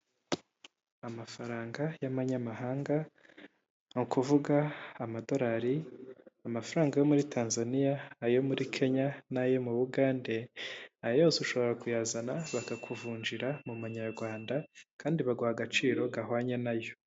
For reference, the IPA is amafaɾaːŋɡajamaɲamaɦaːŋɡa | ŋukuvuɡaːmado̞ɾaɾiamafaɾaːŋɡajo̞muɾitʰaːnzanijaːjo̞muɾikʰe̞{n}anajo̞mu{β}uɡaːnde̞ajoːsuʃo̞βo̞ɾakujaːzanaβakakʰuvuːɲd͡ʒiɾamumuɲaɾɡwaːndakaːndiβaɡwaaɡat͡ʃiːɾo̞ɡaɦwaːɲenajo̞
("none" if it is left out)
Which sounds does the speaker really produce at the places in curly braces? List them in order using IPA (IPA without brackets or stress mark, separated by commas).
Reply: ɲ, β